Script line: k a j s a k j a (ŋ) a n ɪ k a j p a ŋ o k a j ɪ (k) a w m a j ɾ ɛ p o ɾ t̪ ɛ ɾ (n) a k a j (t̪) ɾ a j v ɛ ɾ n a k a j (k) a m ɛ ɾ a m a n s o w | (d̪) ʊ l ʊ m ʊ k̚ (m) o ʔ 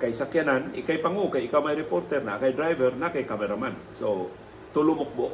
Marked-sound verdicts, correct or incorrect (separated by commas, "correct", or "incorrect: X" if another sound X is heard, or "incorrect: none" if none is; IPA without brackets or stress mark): incorrect: n, correct, correct, incorrect: d̪, correct, incorrect: t̪, incorrect: b